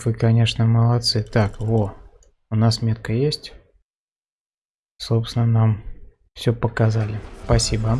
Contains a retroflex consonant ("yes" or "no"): yes